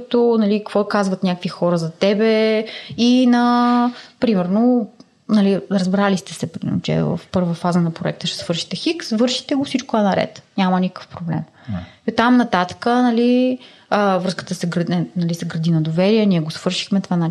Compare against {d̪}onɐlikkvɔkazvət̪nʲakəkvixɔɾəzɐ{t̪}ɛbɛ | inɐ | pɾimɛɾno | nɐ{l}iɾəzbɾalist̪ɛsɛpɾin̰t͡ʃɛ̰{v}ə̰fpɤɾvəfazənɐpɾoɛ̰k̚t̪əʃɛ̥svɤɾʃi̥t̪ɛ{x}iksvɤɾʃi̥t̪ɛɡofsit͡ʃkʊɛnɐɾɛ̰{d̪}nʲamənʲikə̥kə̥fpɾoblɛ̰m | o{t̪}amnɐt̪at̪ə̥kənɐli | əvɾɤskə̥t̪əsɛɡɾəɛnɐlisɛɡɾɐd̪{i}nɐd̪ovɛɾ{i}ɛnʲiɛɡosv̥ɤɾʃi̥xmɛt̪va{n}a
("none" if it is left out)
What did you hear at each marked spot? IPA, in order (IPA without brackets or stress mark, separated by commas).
t̪, t̪, l, v, x, t̪, t̪, i, i, n